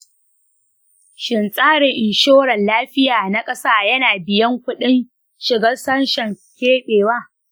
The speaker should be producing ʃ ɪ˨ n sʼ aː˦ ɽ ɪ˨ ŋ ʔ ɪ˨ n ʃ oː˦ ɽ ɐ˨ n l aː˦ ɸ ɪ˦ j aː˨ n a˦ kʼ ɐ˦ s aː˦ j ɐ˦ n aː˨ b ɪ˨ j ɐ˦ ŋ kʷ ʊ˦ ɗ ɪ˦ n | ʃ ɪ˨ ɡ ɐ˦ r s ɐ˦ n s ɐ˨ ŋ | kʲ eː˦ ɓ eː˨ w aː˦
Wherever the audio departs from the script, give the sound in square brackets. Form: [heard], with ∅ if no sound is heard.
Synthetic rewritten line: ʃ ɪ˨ n sʼ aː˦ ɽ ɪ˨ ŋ ʔ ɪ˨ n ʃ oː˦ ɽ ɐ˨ n l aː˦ ɸ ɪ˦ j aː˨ n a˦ kʼ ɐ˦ s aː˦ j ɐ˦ n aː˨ b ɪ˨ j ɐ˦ ŋ kʷ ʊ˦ ɗ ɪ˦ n | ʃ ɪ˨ ɡ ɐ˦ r s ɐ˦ n [ʃ] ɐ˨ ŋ | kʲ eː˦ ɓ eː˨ w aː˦